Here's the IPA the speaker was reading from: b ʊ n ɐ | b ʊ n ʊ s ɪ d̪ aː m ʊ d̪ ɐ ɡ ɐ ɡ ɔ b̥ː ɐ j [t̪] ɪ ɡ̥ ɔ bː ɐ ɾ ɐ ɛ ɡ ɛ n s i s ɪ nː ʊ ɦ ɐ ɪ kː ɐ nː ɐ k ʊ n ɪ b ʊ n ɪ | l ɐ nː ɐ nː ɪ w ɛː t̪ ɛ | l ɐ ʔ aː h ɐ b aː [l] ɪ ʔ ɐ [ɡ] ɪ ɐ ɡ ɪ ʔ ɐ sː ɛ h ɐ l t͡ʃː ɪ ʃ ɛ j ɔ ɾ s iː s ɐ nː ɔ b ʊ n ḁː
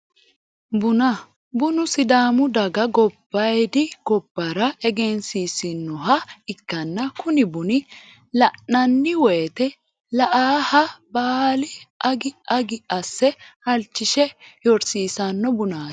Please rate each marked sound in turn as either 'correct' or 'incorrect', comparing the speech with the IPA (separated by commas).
incorrect, correct, correct